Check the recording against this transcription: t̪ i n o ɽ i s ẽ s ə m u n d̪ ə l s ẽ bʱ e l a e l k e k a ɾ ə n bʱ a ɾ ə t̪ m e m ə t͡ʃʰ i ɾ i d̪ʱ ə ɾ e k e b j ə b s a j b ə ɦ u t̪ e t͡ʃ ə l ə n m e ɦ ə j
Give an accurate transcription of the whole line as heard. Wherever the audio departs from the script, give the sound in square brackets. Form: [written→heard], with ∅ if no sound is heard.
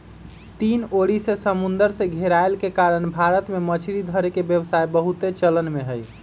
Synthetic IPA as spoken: t̪ i n o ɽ i s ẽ s ə m u n d̪ ə [l→ɾ] s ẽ [bʱ→ɡʱ] e [l→ɾ] a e l k e k a ɾ ə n bʱ a ɾ ə t̪ m e m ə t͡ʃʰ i ɾ i d̪ʱ ə ɾ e k e b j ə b s a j b ə ɦ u t̪ e t͡ʃ ə l ə n m e ɦ ə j